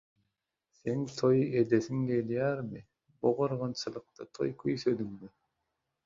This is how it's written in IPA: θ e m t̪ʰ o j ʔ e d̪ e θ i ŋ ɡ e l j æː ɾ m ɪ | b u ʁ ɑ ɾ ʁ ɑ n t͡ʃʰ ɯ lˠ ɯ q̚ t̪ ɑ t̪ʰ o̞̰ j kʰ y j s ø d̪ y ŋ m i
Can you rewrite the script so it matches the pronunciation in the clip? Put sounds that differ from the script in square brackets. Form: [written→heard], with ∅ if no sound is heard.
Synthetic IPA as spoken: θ e [m→ŋ] t̪ʰ o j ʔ e d̪ e θ i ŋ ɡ e l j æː ɾ m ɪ | b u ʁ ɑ ɾ ʁ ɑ n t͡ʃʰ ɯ lˠ ɯ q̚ t̪ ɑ t̪ʰ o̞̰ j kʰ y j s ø d̪ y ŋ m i